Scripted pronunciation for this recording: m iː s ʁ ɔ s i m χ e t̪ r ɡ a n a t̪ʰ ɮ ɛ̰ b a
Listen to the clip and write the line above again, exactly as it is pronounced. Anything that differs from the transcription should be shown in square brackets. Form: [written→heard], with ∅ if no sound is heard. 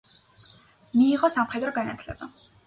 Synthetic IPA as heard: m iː [s→∅] ʁ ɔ s [i→a] m χ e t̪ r ɡ a n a t̪ʰ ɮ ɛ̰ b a